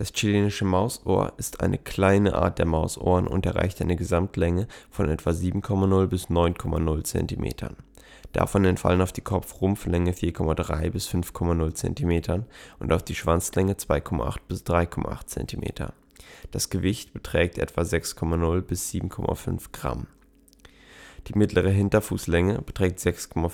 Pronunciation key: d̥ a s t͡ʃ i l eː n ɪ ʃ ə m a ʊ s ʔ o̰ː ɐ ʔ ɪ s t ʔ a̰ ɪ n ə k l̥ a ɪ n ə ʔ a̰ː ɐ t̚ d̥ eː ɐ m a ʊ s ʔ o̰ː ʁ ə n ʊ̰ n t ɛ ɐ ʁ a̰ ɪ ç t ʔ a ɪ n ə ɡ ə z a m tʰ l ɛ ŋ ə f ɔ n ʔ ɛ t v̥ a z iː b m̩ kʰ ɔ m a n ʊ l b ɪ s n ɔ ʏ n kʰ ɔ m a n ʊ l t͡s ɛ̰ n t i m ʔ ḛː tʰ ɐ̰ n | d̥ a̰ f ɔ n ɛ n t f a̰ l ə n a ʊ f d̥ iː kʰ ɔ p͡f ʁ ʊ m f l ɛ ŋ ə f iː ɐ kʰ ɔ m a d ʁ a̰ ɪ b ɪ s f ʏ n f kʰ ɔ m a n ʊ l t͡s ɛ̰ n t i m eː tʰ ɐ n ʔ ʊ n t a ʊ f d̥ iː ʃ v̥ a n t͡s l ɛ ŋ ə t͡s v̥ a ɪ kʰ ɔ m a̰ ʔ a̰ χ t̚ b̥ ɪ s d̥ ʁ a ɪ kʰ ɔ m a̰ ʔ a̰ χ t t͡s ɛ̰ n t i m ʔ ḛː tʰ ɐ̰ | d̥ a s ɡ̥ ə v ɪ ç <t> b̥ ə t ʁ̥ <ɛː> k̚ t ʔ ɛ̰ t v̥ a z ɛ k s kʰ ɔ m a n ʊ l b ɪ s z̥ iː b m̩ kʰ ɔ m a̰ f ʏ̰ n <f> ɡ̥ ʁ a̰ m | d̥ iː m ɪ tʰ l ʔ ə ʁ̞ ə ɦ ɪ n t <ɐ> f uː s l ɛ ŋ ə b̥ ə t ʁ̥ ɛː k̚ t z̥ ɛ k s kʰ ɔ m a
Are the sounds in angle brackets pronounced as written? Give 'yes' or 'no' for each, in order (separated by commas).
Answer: yes, yes, yes, yes